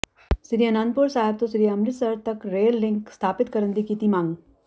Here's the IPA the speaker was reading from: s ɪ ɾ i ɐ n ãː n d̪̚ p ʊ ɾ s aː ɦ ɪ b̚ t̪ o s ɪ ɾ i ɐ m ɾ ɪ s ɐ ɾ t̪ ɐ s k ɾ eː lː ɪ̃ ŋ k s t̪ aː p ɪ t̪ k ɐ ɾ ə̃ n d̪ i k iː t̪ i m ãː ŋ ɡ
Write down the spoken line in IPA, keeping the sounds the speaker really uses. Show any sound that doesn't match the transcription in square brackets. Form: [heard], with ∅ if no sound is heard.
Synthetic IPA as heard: s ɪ ɾ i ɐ n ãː n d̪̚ p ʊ ɾ s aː ɦ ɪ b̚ t̪ o s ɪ ɾ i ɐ m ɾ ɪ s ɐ ɾ t̪ ɐ [∅] k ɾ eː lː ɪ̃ ŋ k s [t̪ʰ] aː p ɪ t̪ k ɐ ɾ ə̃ n d̪ i k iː t̪ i m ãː ŋ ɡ